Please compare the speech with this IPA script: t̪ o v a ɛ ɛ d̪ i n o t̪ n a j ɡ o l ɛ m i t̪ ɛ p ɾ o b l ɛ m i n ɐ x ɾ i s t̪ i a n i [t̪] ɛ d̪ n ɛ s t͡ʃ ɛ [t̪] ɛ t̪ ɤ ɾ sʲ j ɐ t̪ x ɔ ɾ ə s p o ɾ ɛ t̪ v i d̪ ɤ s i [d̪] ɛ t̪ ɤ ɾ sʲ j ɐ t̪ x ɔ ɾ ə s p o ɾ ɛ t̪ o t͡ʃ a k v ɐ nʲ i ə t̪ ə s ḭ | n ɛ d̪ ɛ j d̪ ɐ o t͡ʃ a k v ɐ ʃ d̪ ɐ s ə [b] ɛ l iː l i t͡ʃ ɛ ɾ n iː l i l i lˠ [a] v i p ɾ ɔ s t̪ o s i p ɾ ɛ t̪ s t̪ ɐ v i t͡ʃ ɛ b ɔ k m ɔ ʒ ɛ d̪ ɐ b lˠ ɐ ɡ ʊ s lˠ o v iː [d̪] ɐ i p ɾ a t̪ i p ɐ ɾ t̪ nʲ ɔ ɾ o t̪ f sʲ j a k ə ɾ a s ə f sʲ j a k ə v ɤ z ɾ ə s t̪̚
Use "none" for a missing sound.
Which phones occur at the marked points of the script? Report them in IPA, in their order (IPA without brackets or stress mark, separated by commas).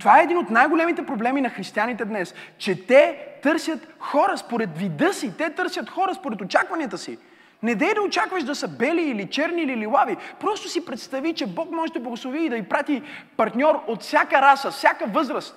t̪, t̪, t̪, b, a, d̪